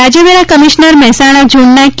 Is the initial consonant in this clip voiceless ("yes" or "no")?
no